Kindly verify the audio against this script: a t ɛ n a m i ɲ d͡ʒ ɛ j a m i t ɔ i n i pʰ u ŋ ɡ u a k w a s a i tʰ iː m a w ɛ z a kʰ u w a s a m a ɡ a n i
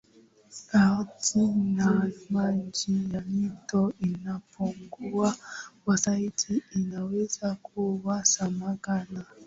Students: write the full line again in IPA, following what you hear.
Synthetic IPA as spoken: a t i n a m a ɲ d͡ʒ i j a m i t ɔ i n a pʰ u ŋ ɡ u a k w a s a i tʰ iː n a w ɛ z a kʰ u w a s a m a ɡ a n a